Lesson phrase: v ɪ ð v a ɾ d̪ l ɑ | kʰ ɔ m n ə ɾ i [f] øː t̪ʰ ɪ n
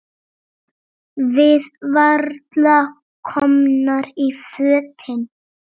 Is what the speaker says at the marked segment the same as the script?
yes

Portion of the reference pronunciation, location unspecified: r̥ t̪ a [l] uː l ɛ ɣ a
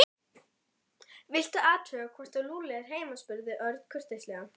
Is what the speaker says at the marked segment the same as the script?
yes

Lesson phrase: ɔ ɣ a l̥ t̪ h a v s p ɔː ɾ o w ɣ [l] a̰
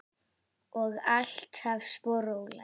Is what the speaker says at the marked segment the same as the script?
yes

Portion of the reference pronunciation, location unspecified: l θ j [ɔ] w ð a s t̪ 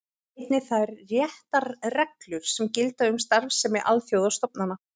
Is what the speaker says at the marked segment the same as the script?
no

